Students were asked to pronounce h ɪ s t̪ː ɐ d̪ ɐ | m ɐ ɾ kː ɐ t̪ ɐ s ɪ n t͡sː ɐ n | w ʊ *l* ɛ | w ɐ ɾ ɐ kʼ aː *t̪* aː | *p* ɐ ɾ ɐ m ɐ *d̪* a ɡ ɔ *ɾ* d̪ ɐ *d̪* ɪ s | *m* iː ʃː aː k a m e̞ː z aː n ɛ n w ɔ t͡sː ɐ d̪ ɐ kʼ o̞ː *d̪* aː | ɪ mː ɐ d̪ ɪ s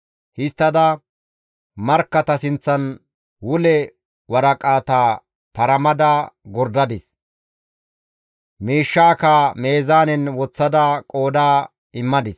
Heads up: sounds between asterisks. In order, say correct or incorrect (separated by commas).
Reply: correct, correct, correct, correct, correct, correct, correct, correct